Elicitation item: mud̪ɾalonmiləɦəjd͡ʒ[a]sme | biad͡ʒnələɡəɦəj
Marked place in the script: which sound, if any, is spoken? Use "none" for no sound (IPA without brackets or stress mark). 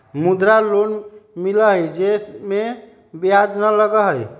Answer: e